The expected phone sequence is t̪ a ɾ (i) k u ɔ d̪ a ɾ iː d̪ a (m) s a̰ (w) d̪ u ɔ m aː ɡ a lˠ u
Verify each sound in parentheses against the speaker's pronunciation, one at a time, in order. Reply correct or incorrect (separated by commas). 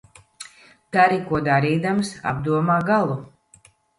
correct, correct, incorrect